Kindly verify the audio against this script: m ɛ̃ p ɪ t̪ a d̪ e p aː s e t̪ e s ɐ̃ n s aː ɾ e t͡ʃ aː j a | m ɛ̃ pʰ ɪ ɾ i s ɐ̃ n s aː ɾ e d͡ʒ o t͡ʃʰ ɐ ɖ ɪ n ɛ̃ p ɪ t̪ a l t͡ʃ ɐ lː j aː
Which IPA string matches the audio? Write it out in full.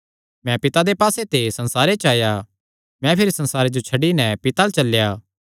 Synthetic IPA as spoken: m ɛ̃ p ɪ t̪ a d̪ e p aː s e t̪ e s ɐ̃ n s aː ɾ e t͡ʃ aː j a | m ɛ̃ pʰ ɪ ɾ i s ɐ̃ n s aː ɾ e d͡ʒ o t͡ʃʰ ɐ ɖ i n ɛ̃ p ɪ t̪ a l t͡ʃ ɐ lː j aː